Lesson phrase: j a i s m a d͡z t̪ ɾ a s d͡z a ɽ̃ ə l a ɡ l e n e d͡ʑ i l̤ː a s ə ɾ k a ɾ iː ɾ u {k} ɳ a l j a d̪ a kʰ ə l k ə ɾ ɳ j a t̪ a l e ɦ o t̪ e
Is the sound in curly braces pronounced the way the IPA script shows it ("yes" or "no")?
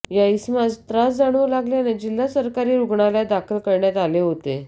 no